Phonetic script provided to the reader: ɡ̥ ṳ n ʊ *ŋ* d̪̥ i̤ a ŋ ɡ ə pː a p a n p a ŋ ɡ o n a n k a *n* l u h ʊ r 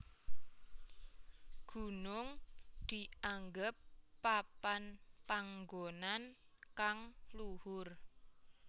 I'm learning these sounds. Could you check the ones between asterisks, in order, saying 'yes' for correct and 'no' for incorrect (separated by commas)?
yes, no